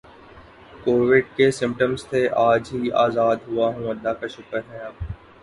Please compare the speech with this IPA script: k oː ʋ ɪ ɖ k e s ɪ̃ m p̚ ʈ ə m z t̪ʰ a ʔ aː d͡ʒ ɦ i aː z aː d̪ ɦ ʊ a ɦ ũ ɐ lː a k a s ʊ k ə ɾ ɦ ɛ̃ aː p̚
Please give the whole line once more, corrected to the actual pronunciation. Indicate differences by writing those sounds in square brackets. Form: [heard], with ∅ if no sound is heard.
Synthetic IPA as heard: k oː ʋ ɪ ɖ k e s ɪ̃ m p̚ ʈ ə m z t̪ʰ [e] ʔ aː d͡ʒ ɦ i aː z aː d̪ ɦ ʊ a ɦ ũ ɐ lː a k a [ʃ] ʊ k ə ɾ ɦ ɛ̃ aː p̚